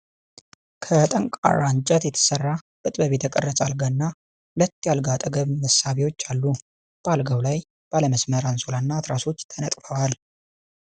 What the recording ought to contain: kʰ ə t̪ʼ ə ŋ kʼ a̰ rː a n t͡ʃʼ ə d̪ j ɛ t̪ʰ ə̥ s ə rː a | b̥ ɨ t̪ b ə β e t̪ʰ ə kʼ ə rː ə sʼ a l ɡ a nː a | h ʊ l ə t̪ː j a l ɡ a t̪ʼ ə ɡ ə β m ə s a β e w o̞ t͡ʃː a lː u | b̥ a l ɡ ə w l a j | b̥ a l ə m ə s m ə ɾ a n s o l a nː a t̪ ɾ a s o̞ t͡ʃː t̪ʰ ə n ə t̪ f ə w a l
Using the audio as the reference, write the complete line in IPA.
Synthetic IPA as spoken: kʰ ə t̪ʼ ə ŋ kʼ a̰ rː a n t͡ʃʼ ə t̪ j ɛ t̪ʰ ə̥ s ə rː a | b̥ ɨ t̪ʼ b ə β e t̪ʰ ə kʼ ə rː ə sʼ a l ɡ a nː a | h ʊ l ə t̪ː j a l ɡ a t̪ʼ ə ɡ ə β m ə s a β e w o̞ t͡ʃː a lː u | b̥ a l ɡ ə w l a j | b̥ a l ə m ə s m ə ɾ a n s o l a nː a t̪ ɾ a s o̞ t͡ʃː t̪ʰ ə n ə t̪ʼ f ə w a l